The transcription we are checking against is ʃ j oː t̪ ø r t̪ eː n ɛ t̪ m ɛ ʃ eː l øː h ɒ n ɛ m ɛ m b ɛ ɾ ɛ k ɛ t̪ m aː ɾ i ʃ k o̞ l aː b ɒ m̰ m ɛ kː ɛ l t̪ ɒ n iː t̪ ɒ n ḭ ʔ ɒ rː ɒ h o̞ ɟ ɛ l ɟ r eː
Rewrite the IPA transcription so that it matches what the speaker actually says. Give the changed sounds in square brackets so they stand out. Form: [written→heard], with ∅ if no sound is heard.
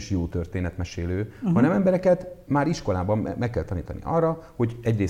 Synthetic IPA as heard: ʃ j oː t̪ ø r t̪ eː n ɛ t̪ m ɛ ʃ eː l øː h ɒ n ɛ m ɛ m b ɛ ɾ ɛ k ɛ t̪ m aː ɾ i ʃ k o̞ l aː b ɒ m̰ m ɛ kː ɛ l t̪ ɒ n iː t̪ ɒ n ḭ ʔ ɒ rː ɒ h o̞ ɟ ɛ [l→∅] ɟ r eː